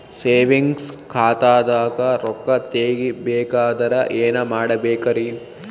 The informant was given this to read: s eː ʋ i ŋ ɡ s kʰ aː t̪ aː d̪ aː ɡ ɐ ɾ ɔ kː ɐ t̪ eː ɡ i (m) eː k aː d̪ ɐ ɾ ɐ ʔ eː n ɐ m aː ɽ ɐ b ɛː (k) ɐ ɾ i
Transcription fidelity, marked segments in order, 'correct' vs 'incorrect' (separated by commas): incorrect, correct